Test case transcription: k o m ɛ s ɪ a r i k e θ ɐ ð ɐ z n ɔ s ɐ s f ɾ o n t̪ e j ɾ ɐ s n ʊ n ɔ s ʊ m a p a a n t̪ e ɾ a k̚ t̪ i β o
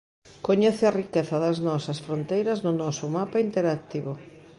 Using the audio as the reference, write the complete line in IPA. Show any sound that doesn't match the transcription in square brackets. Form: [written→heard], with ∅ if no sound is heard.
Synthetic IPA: k o [m→ɲ] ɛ [s→θ] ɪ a r i k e θ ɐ ð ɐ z n ɔ s ɐ s f ɾ o n t̪ e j ɾ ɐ [s→z] n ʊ n ɔ s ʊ m a p a [a→i] n t̪ e ɾ a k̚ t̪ i β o